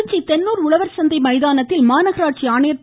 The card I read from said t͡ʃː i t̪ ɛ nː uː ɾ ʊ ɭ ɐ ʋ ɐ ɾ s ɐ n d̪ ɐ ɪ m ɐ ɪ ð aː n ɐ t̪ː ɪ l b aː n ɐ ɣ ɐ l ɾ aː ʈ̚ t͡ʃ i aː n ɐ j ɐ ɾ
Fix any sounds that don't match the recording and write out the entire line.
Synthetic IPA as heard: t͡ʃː i t̪ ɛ nː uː ɾ ʊ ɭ ɐ ʋ ɐ ɾ s ɐ n d̪ ɐ ɪ m ɐ ɪ ð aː n ɐ t̪ː ɪ l m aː n ɐ ɣ ɐ ɾ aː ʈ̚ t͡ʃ i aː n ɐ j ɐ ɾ